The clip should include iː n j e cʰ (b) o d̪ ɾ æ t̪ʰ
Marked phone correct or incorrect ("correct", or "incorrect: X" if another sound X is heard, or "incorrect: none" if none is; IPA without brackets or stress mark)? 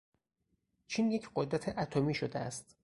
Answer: incorrect: ɢ